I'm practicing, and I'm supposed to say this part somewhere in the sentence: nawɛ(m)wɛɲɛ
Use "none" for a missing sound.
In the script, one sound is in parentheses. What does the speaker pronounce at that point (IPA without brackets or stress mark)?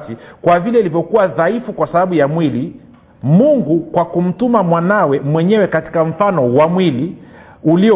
m